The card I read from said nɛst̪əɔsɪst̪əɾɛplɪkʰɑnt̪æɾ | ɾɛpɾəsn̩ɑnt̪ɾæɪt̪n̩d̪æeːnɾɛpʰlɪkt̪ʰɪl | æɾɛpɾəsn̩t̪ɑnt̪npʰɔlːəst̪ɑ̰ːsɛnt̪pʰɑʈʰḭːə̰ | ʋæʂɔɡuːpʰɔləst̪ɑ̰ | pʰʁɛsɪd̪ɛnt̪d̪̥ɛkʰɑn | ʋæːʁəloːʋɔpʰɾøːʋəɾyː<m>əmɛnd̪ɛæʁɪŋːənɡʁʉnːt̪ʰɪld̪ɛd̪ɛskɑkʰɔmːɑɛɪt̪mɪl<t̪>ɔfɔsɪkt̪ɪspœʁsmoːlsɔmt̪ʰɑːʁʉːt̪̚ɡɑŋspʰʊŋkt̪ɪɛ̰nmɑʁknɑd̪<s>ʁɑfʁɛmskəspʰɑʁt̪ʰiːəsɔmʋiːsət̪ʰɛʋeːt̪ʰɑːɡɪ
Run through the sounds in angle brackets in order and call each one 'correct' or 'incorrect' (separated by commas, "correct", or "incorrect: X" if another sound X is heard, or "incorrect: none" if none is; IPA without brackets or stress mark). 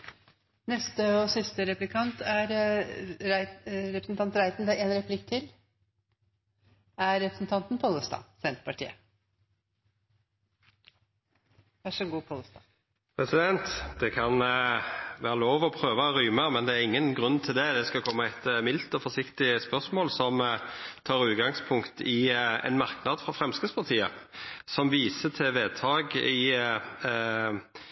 correct, correct, incorrect: f